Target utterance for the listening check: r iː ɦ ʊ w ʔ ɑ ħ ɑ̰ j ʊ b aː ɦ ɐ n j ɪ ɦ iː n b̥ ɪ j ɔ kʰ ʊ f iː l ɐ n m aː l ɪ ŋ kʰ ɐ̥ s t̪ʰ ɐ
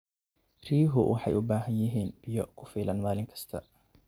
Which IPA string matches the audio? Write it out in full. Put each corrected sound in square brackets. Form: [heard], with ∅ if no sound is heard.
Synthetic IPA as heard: r iː ɦ ʊ w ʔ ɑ ħ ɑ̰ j ʊ b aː ɦ ɐ n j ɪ ɦ iː n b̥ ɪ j ɔ kʰ ʊ f iː l ɐ n m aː l ɪ ŋ kʰ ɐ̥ s t̪ʰ ɐ